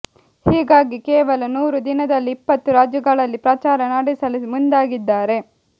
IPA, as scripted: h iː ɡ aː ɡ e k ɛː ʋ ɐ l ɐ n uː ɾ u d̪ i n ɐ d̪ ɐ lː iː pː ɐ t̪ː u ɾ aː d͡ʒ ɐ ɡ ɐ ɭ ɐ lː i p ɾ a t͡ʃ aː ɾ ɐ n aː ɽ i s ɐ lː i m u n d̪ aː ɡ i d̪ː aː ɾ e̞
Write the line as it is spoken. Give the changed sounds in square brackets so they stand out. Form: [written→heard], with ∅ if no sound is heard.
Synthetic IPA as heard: h iː ɡ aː ɡ [e→i] k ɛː ʋ ɐ l ɐ n uː ɾ u d̪ i n ɐ d̪ ɐ lː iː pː ɐ t̪ː u ɾ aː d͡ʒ ɐ ɡ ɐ ɭ ɐ lː i p ɾ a t͡ʃ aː ɾ ɐ n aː ɽ i s ɐ [lː→l] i m u n d̪ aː ɡ i d̪ː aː ɾ e̞